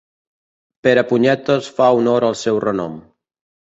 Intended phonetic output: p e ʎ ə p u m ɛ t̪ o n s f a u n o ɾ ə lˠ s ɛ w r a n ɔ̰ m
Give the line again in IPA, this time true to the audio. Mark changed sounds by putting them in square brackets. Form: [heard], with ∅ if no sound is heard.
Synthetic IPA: p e [ɾ] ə p u [ɲ] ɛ t̪ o [∅] s f a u n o ɾ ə lˠ s ɛ w r [ə] n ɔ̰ m